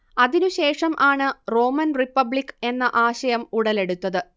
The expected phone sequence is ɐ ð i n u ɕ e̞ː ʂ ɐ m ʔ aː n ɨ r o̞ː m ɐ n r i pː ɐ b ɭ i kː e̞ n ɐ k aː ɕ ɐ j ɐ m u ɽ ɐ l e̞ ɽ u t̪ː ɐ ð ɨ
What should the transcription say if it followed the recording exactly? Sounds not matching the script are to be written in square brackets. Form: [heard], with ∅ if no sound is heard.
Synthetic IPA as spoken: ɐ ð i n u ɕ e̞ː ʂ ɐ m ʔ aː [ɳ] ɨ r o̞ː m ɐ n r i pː ɐ b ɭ i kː e̞ [nː] ɐ [ʔ] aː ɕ ɐ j ɐ m u ɽ ɐ l e̞ ɽ u t̪ː ɐ ð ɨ